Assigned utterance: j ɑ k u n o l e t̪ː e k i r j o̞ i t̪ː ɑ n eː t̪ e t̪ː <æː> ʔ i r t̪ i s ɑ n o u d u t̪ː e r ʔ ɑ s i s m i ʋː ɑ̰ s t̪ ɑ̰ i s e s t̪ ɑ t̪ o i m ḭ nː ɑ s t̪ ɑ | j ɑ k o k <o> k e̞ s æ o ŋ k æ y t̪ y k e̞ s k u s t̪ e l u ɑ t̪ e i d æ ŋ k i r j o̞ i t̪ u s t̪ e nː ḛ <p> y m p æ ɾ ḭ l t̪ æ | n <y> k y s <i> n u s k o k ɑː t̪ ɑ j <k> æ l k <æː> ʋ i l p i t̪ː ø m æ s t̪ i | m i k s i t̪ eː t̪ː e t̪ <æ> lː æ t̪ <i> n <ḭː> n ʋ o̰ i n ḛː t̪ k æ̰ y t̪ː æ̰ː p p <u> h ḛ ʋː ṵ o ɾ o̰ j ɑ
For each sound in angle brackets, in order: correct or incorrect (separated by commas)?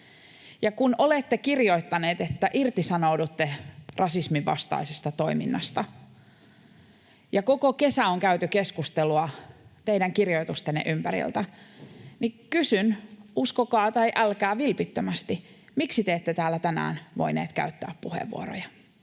incorrect, correct, incorrect, incorrect, incorrect, incorrect, correct, incorrect, incorrect, incorrect, correct